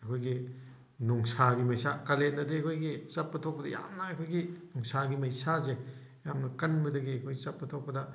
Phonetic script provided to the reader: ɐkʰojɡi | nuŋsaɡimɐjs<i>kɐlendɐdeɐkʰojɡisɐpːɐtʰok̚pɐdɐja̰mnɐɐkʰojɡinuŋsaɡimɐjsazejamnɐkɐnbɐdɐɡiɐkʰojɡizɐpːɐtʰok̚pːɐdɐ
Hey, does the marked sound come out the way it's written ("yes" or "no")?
no